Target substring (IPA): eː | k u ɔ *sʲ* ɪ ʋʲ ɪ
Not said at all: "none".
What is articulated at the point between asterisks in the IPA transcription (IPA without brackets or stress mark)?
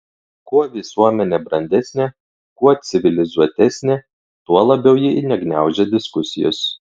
sʲ